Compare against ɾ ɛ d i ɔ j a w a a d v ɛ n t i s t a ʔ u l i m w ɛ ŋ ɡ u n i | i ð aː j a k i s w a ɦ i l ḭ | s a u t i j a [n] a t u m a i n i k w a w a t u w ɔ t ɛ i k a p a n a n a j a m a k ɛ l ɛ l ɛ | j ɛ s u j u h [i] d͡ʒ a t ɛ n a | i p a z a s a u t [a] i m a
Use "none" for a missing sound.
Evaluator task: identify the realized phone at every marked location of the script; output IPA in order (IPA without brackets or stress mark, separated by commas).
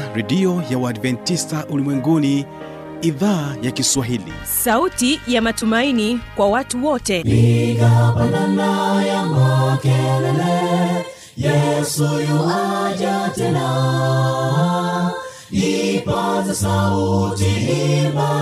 m, a, i